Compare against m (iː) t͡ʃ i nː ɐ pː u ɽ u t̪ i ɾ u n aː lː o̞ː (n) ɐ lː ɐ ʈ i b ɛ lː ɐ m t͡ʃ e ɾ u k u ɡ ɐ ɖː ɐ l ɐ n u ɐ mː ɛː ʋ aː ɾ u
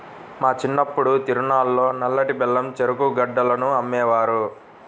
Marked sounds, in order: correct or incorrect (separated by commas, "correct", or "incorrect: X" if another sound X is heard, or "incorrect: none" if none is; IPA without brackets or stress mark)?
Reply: incorrect: aː, correct